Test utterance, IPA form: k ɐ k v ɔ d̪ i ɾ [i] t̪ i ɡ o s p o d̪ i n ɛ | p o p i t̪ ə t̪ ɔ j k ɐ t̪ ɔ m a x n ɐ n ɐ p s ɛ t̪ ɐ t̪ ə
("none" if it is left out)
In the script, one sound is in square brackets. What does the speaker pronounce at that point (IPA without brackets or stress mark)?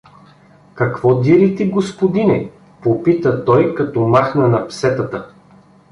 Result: i